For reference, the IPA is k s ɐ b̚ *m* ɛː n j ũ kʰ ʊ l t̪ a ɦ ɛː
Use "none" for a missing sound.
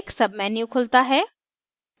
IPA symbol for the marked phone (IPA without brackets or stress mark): m